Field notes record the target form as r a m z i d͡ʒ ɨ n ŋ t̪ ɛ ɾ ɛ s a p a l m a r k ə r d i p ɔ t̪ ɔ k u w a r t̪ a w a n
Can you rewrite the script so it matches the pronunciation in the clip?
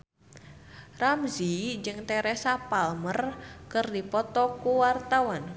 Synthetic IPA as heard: r a m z i d͡ʒ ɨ ŋ t̪ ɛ ɾ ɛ s a p a l m ə r k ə r d i p ɔ t̪ ɔ k u w a r t̪ a w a n